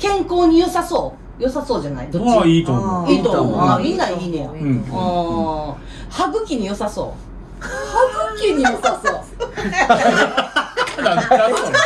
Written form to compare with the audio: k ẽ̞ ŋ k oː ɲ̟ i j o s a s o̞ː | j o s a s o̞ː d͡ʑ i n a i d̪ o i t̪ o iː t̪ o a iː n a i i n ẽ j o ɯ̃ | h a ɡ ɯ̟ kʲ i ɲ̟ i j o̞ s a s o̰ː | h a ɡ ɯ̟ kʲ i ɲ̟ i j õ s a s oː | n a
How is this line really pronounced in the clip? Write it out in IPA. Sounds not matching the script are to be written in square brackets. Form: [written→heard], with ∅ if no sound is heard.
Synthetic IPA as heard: k ẽ̞ ŋ k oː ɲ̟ i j o s a s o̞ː | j o s a s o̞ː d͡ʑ [i→a] n a i d̪ o i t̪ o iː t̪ o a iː n a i i n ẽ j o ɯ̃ | h a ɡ ɯ̟ kʲ i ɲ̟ i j o̞ s a s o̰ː | h a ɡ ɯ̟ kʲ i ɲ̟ i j [õ→o] s a s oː | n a